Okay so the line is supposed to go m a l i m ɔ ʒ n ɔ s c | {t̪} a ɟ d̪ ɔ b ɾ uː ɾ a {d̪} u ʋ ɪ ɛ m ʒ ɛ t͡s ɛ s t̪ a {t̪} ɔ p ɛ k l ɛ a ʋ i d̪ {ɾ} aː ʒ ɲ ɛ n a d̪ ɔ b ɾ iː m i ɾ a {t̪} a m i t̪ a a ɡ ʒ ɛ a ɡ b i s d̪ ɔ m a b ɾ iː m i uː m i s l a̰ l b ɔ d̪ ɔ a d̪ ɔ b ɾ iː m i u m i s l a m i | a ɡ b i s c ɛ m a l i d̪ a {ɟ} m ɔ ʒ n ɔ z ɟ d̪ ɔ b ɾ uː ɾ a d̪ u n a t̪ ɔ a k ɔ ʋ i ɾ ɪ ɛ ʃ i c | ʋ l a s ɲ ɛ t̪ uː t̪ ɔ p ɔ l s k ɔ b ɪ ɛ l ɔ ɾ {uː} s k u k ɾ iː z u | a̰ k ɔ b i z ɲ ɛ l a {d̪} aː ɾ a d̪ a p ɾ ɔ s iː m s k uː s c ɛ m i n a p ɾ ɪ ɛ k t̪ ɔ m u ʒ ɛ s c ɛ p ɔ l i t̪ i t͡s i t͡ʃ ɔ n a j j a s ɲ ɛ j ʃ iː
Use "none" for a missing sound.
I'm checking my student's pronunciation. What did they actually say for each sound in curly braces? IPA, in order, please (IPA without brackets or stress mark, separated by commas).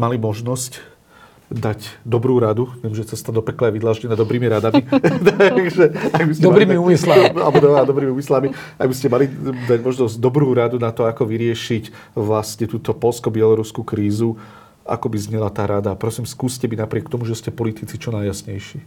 d̪, d̪, d̪, l, d̪, ɟ, u, t̪